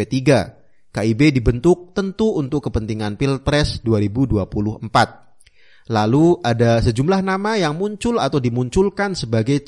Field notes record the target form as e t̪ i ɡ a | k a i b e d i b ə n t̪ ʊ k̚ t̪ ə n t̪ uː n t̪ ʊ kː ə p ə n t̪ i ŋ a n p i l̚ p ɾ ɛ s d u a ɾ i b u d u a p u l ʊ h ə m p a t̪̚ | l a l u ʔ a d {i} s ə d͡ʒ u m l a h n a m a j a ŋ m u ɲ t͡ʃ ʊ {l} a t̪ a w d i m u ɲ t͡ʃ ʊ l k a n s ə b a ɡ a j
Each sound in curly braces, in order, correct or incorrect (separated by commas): incorrect, correct